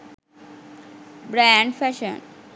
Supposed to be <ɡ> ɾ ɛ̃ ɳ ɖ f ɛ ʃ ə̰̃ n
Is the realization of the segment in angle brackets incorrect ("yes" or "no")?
yes